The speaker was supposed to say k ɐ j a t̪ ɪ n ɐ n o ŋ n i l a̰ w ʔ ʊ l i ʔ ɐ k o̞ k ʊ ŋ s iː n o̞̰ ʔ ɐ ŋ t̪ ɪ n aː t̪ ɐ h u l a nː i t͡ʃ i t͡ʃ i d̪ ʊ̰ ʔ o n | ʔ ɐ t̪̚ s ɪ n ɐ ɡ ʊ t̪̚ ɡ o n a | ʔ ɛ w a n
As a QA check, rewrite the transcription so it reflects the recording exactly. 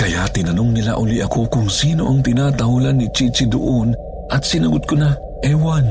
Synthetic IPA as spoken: k ɐ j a t̪ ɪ n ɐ n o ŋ n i l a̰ ʔ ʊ l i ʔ ɐ k o̞ k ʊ ŋ s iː n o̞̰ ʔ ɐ ŋ t̪ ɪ n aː t̪ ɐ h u l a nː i t͡ʃ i t͡ʃ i d̪ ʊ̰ ʔ o n | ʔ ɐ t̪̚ s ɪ n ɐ ɡ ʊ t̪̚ k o n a | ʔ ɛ w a n